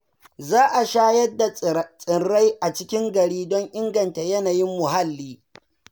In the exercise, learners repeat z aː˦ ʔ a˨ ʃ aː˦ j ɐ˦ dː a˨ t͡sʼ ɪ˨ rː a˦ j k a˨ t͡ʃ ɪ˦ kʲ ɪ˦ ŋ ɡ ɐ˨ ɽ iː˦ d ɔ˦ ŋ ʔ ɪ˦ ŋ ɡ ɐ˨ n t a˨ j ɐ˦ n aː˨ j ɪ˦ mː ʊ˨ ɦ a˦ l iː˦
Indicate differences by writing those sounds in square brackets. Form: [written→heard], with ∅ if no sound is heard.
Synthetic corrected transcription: z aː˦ ʔ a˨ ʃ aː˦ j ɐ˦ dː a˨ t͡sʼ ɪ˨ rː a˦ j [k→ʔ] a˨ t͡ʃ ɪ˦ kʲ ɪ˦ ŋ ɡ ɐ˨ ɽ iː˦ d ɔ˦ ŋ ʔ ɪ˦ ŋ ɡ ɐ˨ n t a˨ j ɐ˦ n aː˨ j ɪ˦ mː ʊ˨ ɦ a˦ [l→lː] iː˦